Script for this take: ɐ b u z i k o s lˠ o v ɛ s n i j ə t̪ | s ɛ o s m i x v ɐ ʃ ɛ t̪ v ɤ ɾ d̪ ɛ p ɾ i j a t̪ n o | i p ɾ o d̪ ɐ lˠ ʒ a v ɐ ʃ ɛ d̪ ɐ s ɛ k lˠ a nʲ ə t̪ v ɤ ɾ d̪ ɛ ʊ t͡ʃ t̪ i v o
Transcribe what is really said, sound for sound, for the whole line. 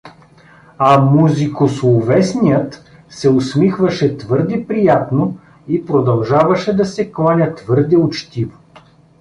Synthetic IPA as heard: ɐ m u z i k o s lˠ o v ɛ s n i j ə t̪ | s ɛ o s m i x v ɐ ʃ ɛ t̪ v ɤ ɾ d̪ ɛ p ɾ i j a t̪ n o | i p ɾ o d̪ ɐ lˠ ʒ a v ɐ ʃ ɛ d̪ ɐ s ɛ k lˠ a nʲ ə t̪ v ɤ ɾ d̪ ɛ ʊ t͡ʃ t̪ i v o